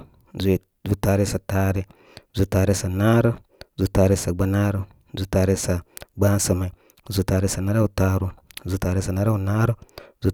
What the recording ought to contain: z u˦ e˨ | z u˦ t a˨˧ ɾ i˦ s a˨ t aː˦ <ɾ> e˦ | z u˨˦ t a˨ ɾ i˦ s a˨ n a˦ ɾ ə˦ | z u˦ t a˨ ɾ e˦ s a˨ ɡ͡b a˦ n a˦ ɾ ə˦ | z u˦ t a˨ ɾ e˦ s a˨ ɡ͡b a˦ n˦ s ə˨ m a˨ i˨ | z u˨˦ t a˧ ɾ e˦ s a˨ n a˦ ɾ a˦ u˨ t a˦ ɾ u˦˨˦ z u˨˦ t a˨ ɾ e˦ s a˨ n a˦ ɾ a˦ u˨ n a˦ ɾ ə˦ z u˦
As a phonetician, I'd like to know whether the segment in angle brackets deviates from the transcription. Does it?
no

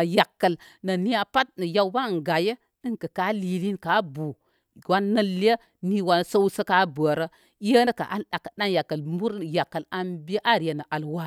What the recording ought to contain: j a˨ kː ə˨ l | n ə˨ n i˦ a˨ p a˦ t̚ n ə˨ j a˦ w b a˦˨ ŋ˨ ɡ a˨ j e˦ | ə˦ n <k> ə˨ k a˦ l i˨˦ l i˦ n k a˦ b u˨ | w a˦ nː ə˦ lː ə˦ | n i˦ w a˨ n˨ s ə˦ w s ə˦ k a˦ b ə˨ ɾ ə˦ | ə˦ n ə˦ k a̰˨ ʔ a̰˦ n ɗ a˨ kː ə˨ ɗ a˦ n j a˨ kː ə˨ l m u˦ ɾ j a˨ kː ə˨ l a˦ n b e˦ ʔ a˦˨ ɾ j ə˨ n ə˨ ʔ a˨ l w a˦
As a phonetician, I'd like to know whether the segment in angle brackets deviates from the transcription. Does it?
no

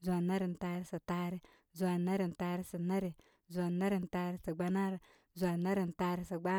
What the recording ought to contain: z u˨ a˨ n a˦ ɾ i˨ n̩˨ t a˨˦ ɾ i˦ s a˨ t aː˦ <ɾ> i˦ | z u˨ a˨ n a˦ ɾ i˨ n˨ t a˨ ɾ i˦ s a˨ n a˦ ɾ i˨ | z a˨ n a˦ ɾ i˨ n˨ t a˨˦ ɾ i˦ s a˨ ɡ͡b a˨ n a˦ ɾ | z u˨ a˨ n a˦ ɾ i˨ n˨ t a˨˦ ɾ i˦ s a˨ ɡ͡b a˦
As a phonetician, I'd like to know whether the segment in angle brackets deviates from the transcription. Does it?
no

